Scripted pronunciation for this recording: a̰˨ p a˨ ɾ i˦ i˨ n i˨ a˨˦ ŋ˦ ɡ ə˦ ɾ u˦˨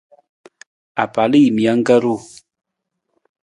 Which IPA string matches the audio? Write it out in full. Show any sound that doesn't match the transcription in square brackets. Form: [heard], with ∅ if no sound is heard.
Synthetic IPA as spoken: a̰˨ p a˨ [l] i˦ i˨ [m] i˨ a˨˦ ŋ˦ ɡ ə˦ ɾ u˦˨